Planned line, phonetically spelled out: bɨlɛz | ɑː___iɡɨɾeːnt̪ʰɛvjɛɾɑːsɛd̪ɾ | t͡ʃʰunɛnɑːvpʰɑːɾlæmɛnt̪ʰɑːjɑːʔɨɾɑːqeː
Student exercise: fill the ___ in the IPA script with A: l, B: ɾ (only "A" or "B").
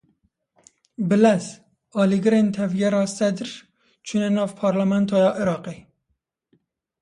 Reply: A